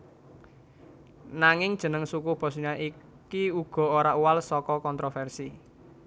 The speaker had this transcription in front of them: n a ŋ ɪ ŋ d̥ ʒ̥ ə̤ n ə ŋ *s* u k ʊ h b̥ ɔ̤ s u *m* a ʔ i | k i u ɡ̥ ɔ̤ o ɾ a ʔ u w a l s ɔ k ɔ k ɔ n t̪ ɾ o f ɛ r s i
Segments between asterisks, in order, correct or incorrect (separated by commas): correct, incorrect